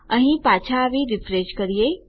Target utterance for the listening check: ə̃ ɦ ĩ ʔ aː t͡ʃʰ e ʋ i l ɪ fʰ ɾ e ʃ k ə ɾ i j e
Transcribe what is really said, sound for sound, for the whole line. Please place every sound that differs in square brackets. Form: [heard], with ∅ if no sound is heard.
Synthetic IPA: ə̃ ɦ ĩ [p] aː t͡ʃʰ [a] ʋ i [ɾ] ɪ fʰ ɾ e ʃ k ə ɾ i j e